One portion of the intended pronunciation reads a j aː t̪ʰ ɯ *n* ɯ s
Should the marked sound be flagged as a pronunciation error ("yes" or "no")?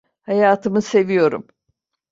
yes